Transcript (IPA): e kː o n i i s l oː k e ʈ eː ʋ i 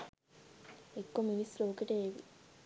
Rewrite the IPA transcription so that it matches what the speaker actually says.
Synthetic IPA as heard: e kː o m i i s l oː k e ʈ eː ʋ i